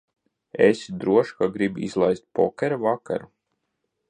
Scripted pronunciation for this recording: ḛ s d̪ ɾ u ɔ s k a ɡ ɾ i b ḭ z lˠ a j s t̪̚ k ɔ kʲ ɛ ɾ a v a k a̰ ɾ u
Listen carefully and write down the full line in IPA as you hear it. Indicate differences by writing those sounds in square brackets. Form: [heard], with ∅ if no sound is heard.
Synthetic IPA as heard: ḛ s d̪ ɾ u ɔ [ʃ] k a ɡ ɾ i b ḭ z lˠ a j s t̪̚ [p] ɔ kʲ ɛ ɾ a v a k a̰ ɾ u